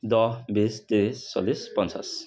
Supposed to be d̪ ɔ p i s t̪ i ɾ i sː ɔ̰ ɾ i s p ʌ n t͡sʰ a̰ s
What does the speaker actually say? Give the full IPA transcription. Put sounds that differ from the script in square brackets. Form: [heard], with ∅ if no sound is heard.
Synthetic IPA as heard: d̪ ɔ [b] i s t̪ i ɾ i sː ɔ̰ [l] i s p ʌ n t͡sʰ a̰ s